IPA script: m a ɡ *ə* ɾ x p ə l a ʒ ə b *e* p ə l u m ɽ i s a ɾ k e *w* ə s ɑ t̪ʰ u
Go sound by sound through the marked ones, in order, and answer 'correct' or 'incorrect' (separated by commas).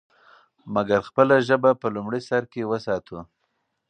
incorrect, incorrect, correct